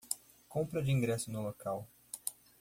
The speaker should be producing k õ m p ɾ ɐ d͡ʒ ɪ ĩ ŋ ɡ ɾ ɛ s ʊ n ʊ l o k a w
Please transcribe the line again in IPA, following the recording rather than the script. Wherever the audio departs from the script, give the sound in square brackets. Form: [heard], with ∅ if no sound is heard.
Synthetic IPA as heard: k õ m p ɾ ɐ d͡ʒ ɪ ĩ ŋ ɡ ɾ ɛ s ʊ n ʊ l o k a w